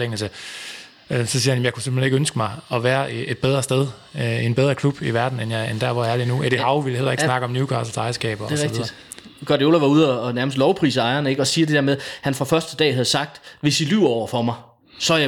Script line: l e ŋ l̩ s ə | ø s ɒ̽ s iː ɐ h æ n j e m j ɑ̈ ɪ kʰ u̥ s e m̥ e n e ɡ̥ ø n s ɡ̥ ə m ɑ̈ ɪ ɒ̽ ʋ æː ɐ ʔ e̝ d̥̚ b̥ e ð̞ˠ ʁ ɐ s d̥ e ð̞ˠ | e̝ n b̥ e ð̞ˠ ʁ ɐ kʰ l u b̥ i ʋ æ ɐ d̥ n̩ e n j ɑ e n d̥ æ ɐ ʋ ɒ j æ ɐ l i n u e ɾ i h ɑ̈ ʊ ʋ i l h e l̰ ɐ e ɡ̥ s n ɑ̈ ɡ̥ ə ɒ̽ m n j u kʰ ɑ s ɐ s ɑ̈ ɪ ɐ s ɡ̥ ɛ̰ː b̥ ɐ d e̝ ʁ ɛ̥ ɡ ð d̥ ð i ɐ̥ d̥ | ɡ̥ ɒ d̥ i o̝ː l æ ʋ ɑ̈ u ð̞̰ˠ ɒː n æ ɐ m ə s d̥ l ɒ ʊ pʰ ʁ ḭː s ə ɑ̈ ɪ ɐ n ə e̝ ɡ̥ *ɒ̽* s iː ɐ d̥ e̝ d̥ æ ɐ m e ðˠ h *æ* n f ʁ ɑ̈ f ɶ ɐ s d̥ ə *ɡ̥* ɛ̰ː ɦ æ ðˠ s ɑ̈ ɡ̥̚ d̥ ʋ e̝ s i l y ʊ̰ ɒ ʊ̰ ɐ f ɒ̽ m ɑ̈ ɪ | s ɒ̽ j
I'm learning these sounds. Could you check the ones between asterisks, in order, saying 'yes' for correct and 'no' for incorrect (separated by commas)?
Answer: yes, yes, no